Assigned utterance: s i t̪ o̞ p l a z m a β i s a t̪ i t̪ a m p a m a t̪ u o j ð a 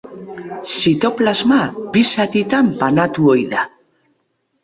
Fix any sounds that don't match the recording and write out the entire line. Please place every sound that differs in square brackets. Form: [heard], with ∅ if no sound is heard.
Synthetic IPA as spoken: s i t̪ o̞ p l a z m a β i s a t̪ i t̪ a m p a [n] a t̪ u o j ð a